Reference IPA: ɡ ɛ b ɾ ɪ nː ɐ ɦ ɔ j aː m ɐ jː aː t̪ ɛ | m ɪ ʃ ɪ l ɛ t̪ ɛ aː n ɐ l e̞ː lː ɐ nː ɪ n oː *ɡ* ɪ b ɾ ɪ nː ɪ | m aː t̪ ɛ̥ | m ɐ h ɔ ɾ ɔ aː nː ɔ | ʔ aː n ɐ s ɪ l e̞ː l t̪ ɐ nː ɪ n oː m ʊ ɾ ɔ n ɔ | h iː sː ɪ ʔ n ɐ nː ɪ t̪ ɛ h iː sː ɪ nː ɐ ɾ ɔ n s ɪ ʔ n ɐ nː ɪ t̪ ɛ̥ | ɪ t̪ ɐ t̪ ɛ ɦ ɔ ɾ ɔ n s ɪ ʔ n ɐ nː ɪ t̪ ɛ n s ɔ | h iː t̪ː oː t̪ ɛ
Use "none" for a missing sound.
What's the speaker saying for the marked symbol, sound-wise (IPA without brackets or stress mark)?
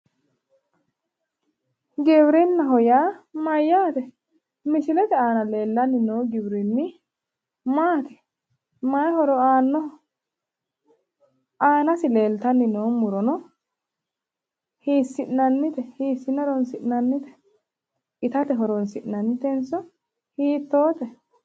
ɡ